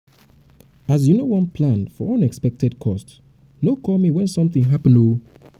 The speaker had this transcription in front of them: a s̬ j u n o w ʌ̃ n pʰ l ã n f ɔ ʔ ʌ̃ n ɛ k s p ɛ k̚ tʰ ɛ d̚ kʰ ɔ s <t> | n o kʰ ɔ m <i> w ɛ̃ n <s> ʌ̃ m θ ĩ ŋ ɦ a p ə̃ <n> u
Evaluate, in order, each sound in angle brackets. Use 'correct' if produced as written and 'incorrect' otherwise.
correct, correct, correct, correct

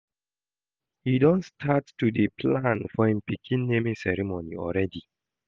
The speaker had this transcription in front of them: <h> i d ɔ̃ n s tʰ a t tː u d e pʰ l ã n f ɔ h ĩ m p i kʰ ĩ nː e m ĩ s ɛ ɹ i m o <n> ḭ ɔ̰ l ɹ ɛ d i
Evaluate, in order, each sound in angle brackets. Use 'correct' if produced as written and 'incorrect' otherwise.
correct, correct

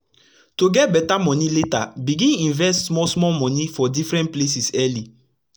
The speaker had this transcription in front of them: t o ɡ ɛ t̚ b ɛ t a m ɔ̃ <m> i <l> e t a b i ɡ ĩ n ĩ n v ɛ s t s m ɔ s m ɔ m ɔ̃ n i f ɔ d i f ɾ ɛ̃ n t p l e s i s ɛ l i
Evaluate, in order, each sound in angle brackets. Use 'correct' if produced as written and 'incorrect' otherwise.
incorrect, correct

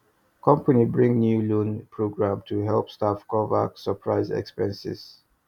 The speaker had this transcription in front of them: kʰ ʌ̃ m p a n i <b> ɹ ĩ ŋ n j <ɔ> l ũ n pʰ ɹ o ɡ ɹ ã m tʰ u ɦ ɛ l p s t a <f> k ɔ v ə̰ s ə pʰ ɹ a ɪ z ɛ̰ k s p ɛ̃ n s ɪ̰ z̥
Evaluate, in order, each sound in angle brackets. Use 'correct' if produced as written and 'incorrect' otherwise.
correct, incorrect, correct

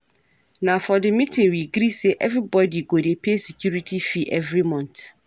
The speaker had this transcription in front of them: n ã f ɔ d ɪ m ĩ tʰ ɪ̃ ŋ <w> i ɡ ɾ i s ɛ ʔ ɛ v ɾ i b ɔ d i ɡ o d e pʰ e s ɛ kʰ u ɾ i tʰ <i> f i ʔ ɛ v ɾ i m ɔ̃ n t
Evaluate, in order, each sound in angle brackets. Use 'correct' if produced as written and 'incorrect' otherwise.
correct, correct

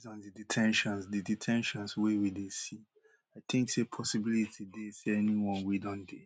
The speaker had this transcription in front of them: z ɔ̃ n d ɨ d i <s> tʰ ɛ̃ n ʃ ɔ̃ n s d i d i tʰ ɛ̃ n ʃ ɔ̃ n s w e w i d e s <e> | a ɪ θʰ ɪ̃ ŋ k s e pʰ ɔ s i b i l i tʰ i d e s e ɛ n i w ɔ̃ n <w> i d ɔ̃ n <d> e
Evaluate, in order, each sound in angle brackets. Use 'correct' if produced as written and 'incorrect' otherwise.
incorrect, incorrect, correct, correct

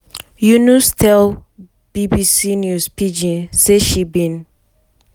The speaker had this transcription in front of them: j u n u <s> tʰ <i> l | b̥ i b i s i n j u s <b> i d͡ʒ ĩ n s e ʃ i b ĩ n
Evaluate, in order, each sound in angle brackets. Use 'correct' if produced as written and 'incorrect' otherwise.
correct, incorrect, incorrect

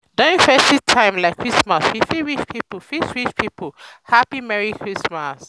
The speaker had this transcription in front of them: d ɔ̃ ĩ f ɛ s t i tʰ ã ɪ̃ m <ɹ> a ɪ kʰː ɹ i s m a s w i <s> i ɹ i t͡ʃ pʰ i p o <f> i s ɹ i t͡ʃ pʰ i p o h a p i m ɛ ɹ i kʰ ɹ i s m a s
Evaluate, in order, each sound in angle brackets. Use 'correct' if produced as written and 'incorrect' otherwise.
incorrect, incorrect, correct

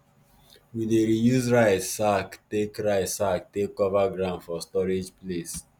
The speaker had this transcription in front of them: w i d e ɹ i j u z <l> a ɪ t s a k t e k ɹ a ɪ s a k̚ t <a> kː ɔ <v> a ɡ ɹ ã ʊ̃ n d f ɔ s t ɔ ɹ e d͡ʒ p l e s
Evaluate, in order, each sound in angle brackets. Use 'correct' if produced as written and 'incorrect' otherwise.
incorrect, incorrect, correct

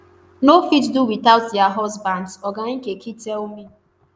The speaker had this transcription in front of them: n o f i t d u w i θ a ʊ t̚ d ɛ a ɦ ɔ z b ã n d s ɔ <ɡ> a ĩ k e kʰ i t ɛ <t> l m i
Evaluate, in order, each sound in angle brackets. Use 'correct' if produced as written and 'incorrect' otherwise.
correct, incorrect

